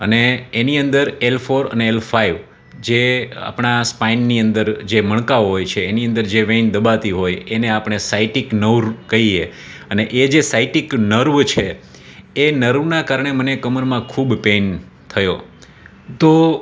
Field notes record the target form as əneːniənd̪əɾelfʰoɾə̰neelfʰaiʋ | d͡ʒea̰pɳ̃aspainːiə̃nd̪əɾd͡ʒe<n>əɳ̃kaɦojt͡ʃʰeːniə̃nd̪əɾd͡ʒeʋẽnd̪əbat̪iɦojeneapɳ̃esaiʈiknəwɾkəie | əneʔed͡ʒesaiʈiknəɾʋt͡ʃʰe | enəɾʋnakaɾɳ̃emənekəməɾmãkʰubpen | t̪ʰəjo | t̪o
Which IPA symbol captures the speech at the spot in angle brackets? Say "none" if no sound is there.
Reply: m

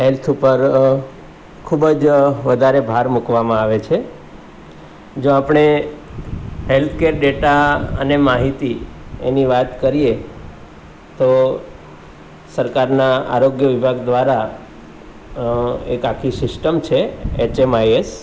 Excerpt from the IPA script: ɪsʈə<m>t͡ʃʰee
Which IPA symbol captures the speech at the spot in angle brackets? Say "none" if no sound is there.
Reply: m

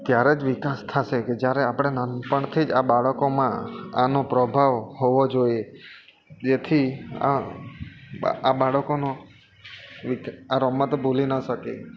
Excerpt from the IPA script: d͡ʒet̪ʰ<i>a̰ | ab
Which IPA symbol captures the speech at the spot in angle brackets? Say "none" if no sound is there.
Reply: i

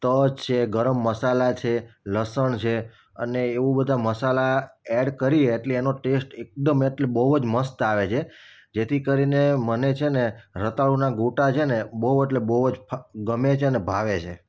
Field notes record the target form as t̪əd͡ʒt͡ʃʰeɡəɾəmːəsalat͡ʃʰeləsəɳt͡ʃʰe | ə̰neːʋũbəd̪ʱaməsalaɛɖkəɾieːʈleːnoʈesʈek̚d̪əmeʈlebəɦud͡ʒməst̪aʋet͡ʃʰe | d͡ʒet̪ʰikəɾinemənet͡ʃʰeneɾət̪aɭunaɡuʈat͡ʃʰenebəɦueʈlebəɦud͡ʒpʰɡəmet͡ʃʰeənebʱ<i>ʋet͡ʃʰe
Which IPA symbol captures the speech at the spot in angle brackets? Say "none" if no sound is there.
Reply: a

